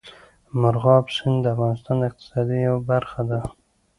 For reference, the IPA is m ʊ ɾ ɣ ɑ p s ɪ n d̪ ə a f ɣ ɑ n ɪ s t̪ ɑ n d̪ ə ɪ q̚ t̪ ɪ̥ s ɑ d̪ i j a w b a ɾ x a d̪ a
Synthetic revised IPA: m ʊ ɾ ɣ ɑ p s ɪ n d̪ ə a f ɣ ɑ n ɪ s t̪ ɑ n d̪ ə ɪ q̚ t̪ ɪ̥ s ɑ d̪ i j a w b a ɾ x a d̪ a